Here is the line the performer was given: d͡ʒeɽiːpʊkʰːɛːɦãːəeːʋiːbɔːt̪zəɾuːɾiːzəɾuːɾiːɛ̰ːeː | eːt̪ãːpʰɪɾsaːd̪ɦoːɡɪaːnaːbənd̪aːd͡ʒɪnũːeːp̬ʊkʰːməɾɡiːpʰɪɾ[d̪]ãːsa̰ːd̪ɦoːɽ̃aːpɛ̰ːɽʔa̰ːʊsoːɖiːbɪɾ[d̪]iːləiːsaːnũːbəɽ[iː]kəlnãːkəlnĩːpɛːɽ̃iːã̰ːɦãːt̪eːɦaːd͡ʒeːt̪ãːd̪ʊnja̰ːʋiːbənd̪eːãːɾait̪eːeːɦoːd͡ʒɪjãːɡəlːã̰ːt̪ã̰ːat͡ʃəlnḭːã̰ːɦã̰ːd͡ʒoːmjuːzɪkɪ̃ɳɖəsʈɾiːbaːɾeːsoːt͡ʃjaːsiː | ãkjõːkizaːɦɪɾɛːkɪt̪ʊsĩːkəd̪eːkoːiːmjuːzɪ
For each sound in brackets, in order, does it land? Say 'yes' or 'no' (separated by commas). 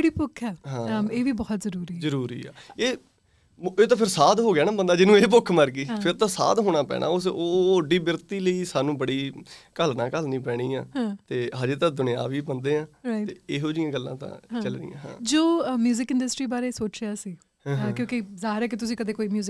no, no, yes